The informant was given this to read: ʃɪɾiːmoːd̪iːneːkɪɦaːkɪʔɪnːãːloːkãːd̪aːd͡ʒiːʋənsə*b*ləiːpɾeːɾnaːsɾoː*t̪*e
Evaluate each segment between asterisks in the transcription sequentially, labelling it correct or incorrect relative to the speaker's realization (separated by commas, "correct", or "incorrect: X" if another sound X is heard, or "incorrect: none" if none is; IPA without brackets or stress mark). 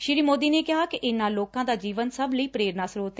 correct, correct